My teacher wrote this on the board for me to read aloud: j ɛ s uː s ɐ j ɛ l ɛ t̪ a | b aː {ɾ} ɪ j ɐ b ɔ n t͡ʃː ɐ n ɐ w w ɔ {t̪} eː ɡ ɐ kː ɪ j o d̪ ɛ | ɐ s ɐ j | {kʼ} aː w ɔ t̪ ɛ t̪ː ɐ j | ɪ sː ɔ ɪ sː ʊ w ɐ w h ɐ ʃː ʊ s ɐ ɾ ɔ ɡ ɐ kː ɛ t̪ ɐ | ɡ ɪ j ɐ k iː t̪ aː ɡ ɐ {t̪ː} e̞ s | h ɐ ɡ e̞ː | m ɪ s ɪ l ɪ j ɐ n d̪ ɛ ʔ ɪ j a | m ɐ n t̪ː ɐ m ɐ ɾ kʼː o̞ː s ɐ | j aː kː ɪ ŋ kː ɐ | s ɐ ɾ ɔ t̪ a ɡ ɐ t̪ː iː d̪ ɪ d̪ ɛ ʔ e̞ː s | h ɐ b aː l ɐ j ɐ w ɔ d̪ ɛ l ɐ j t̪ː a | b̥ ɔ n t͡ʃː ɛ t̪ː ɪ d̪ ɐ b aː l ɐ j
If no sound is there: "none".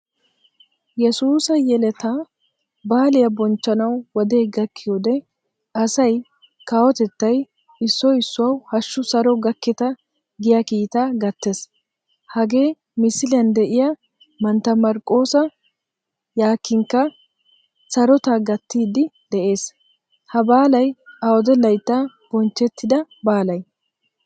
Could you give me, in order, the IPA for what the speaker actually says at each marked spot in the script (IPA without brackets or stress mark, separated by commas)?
l, d̪, k, t̪ː